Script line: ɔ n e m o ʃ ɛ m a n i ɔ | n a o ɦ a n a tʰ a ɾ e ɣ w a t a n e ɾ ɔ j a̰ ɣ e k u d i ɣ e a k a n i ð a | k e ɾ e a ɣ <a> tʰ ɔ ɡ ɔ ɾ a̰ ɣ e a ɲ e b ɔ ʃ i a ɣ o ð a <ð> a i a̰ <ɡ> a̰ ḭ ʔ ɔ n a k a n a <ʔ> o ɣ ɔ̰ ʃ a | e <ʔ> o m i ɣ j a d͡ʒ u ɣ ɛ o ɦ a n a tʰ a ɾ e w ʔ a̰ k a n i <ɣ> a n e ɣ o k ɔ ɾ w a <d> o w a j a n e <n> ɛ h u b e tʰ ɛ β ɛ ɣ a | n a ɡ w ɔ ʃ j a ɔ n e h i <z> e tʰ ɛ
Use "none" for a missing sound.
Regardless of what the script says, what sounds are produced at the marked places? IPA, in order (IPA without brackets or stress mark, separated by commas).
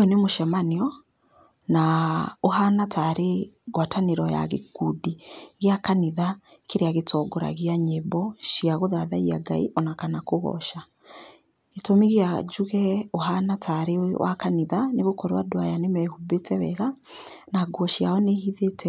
e, ð, ɡ, k, t, ð, d, m, ð